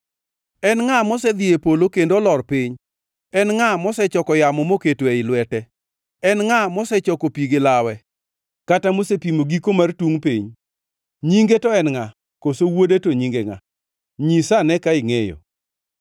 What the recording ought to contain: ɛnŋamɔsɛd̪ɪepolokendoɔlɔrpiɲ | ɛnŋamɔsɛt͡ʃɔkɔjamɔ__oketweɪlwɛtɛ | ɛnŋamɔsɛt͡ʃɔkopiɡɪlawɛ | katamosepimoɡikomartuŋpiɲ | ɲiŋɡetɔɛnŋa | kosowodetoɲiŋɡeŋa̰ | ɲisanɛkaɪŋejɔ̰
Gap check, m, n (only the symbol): m